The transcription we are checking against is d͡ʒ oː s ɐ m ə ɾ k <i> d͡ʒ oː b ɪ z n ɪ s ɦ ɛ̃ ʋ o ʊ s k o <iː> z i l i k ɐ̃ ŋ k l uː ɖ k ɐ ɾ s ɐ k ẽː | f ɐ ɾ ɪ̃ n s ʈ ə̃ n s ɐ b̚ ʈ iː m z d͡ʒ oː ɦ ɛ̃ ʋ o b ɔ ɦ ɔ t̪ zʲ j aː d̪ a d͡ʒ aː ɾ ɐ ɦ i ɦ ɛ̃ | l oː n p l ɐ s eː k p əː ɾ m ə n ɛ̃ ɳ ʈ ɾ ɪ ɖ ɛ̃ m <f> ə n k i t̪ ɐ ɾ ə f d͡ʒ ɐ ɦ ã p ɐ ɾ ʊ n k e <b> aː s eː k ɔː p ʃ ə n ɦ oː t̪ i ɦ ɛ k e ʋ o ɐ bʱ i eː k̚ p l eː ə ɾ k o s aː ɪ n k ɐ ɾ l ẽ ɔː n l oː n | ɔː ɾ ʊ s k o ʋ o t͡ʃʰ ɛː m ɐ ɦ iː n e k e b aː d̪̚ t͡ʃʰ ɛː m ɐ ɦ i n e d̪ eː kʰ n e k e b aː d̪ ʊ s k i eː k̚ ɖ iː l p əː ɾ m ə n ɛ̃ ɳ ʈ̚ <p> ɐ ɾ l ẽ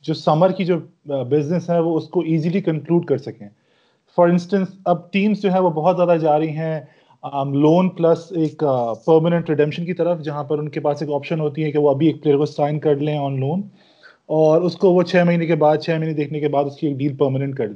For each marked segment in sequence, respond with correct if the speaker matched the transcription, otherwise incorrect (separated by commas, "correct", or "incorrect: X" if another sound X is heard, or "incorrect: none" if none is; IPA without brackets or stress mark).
correct, correct, incorrect: ʃ, incorrect: p, incorrect: k